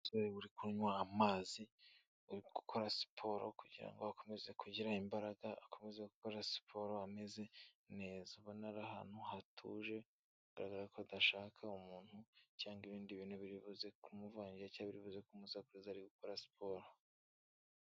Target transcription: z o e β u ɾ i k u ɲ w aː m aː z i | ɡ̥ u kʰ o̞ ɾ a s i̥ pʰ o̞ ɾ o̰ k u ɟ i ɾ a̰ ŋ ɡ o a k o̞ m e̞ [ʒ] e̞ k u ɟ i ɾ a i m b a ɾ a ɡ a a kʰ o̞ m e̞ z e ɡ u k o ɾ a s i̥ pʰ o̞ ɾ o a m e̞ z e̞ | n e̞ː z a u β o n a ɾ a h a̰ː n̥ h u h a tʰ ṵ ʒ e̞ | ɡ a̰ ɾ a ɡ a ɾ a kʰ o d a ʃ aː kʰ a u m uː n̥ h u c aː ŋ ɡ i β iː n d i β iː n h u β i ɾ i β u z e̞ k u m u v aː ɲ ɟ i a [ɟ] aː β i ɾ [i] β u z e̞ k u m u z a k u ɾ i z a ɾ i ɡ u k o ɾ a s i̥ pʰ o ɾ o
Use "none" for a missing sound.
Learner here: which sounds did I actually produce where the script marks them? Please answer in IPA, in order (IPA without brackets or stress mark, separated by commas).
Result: z, c, i